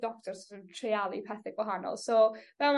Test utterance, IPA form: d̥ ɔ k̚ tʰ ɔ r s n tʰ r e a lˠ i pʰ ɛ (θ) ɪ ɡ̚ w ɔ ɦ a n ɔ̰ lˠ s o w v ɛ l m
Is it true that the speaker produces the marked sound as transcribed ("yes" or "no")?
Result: yes